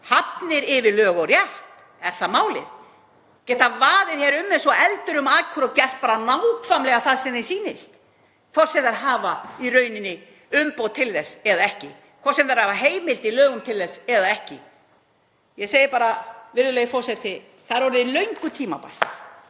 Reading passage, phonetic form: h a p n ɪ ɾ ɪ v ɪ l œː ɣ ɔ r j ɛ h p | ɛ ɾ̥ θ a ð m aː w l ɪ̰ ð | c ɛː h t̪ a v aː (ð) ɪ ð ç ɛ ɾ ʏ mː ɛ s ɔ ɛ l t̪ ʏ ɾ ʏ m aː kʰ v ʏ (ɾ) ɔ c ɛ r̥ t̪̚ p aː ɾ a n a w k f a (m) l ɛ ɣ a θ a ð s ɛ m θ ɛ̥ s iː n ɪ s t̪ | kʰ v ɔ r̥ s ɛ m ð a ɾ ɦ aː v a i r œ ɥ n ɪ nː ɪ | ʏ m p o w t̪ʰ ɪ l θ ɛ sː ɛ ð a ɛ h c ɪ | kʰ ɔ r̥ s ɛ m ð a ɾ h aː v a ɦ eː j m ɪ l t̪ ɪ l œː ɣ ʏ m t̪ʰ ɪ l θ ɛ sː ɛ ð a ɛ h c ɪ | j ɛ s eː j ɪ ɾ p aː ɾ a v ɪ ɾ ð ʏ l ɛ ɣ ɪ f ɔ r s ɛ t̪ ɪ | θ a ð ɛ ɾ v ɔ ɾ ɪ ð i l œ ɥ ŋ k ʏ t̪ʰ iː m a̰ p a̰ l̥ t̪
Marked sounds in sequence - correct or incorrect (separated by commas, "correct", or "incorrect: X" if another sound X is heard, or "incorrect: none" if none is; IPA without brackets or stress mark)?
correct, correct, correct